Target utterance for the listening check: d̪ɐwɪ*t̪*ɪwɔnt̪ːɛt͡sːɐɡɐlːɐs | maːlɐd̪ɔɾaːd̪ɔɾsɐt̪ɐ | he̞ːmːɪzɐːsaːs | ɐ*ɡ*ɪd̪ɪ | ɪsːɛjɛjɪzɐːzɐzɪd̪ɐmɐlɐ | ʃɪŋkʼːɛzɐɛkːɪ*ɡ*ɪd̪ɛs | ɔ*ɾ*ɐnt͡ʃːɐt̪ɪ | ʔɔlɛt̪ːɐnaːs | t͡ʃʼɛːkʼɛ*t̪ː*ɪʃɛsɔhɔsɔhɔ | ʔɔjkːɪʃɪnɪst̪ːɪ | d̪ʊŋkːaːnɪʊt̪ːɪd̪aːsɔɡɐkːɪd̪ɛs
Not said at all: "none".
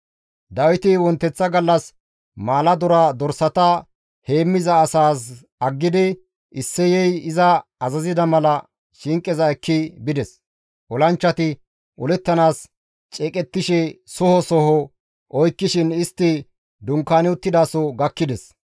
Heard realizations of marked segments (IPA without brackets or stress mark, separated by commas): t̪, ɡː, b, l, t̪ː